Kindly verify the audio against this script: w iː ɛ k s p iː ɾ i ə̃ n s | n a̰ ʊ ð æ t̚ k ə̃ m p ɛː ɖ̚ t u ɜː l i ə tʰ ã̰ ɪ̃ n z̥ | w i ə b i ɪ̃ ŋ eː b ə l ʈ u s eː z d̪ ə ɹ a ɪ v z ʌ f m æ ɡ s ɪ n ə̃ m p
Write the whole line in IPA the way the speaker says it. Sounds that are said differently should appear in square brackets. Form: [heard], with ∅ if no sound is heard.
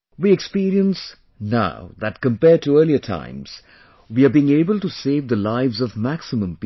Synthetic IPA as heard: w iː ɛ k s p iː ɾ i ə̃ n s | n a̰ ʊ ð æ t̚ k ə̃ m p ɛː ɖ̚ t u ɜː l i ə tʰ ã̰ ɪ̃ [m] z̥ | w i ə b i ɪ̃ ŋ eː b ə l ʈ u s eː [v] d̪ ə [l] a ɪ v z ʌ [v] m æ [k] s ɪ [m] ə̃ m p